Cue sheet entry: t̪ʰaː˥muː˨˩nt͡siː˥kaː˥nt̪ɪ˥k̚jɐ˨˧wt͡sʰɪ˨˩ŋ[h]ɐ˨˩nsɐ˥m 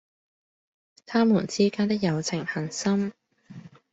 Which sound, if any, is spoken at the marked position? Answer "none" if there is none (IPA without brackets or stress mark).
h